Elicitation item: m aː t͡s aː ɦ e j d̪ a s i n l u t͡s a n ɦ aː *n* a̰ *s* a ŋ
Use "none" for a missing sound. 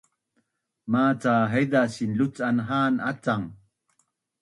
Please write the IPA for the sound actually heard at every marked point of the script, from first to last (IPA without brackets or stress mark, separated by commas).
n, t͡s